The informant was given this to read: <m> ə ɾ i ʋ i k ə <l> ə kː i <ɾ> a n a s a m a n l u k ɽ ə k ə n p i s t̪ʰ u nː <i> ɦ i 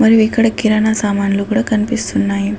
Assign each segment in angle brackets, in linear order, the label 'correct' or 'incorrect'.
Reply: correct, incorrect: ɽ, correct, incorrect: a

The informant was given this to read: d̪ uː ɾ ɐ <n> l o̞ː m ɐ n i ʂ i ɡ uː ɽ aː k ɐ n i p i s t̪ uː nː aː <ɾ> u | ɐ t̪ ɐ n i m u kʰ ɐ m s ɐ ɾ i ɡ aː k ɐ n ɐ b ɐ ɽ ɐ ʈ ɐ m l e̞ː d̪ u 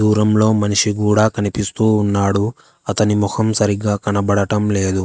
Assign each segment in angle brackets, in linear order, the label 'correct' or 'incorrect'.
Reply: incorrect: m, incorrect: ɽ

